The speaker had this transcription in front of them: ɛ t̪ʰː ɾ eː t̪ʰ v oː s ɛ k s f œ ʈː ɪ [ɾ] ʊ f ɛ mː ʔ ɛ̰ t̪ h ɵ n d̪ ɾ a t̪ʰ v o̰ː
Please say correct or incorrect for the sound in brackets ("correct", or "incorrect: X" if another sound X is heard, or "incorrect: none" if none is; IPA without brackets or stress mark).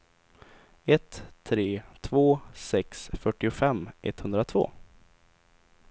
incorrect: none